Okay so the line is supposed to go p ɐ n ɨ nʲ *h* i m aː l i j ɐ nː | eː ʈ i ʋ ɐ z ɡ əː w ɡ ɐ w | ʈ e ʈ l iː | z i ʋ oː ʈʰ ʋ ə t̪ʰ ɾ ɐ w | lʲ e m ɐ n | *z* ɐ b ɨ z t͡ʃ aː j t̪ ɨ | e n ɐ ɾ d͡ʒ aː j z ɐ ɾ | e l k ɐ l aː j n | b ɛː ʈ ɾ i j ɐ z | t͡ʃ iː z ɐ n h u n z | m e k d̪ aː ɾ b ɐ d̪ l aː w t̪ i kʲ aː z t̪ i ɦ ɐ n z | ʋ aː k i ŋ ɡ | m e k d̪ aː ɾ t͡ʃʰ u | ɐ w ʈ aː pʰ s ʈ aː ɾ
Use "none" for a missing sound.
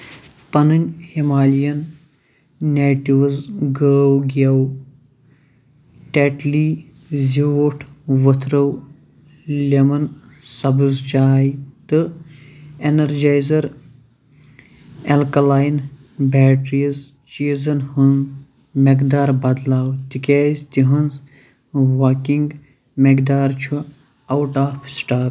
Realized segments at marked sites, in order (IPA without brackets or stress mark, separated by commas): h, s